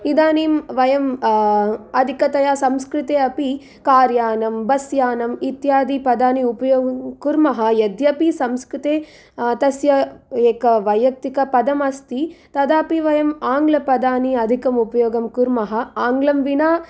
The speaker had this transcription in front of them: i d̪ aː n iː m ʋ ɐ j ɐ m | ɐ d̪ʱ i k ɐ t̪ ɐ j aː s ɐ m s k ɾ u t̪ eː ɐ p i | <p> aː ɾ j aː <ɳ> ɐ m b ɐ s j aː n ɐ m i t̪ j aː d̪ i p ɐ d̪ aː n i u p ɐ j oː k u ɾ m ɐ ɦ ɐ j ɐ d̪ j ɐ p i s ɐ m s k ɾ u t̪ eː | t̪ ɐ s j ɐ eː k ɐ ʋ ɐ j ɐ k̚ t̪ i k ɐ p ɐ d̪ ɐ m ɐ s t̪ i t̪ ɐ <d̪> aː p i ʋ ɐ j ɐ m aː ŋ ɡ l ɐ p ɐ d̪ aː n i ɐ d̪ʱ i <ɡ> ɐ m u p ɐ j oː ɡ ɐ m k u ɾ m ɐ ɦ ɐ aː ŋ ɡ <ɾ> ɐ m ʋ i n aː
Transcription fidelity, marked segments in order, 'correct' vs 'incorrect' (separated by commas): incorrect, incorrect, correct, incorrect, incorrect